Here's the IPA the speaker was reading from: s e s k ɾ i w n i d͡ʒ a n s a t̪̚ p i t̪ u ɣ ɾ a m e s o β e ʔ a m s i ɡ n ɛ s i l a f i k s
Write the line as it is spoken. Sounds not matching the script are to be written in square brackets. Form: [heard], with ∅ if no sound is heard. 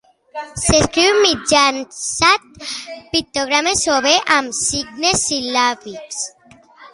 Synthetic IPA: s e s k ɾ i w [m] i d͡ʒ a n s a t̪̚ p i t̪ [o] ɣ ɾ a m e s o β e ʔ a m s i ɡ n [e] s i l a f i k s

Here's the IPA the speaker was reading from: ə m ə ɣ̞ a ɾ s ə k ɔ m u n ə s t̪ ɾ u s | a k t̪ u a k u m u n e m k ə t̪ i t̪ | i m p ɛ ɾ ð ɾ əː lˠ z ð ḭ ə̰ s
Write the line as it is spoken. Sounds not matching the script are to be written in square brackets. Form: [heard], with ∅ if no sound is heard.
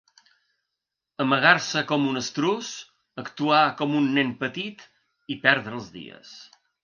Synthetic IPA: ə m ə ɣ̞ a ɾ s ə k ɔ m u n ə s t̪ ɾ u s | [ə] k t̪ u a k [ɔ] m u [nː] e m [p] ə t̪ i t̪ | i [∅] p ɛ ɾ ð ɾ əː lˠ z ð ḭ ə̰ s

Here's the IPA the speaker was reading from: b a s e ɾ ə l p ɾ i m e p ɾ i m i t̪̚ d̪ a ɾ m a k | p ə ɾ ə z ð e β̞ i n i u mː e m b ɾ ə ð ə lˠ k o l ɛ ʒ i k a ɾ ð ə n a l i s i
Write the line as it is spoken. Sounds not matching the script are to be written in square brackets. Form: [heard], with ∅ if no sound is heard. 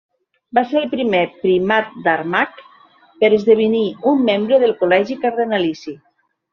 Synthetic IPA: b a s e ɾ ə l p ɾ i m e p ɾ i m [a] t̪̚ d̪ a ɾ m a k | p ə ɾ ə z ð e β̞ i n i u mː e m b ɾ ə ð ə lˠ k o l ɛ ʒ i k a ɾ ð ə n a l i s i

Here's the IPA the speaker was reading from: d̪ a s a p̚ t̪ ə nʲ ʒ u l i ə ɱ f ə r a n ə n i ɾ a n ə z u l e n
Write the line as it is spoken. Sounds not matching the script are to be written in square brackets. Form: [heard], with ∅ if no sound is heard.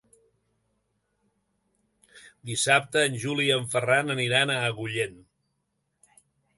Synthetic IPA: d̪ [i] s a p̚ t̪ [əː] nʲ ʒ u l i ə ɱ f ə r a n ə n i ɾ a n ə [ɣ] u [ʎ] e n

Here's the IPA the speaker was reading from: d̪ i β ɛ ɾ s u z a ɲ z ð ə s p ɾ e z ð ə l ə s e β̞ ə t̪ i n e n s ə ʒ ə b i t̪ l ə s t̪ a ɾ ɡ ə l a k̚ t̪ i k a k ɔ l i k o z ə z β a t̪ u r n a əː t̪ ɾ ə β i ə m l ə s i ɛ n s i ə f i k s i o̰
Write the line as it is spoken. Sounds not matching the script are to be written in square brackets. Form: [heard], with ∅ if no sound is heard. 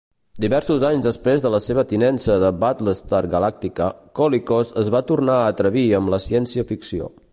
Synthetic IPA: d̪ i β ɛ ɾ s u z a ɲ z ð ə s p ɾ e z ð ə l ə s e β̞ ə t̪ i n [ɛ] n s ə [ð] ə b [a] t̪ l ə s t̪ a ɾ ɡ ə l a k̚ t̪ i k [ə] k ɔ l i k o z ə z β a t̪ u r n a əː t̪ ɾ ə β i ə m l ə s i ɛ n s i ə f i k s i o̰

